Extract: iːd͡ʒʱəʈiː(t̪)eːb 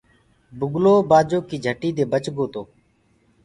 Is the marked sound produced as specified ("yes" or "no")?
no